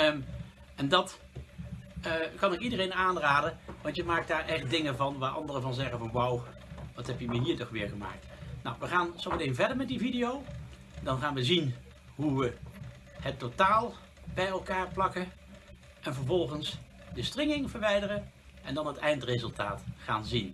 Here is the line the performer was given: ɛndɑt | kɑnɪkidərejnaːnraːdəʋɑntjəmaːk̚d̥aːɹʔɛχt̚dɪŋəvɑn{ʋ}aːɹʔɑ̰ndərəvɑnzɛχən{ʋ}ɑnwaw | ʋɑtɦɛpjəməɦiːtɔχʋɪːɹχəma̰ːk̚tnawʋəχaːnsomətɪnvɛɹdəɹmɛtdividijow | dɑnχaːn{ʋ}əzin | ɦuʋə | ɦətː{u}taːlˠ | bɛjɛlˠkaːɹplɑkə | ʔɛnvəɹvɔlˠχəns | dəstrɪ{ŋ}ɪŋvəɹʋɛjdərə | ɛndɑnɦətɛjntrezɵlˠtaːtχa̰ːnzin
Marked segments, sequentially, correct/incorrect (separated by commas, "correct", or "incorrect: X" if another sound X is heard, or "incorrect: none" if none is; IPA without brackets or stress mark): correct, incorrect: v, correct, incorrect: o, correct